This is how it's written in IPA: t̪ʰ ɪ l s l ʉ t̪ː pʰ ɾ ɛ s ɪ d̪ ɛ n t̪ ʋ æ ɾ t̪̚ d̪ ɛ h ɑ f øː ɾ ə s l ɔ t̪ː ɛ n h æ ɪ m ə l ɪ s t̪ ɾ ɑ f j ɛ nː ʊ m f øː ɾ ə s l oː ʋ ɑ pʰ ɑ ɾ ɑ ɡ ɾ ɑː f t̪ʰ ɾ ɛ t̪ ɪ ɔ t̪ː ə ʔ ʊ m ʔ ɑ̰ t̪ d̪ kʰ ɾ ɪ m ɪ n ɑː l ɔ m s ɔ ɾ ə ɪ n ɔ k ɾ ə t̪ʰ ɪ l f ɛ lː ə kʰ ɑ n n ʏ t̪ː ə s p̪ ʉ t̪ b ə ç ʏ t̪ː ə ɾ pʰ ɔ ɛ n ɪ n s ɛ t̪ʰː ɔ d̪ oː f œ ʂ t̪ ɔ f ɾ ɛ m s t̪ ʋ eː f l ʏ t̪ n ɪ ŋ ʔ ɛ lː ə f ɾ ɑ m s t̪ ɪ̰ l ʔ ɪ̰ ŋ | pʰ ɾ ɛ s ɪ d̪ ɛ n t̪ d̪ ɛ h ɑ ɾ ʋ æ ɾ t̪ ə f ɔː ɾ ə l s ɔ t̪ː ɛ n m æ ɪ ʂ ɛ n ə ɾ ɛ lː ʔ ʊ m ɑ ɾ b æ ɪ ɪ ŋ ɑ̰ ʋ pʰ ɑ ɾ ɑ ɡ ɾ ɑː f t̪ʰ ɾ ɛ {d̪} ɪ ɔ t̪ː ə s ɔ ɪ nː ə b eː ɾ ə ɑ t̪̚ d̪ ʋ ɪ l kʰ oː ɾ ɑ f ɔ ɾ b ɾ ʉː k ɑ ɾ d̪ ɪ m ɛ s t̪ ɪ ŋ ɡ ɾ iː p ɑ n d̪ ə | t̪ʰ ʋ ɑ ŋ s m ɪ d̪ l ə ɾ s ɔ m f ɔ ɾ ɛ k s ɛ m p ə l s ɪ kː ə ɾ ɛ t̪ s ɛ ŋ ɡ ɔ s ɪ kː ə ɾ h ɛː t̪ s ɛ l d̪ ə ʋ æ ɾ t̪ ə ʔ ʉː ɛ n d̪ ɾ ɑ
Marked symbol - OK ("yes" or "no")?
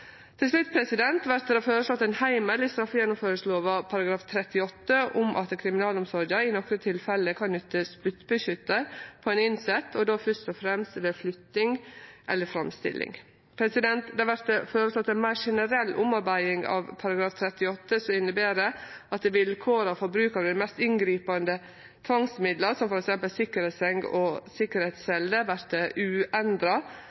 no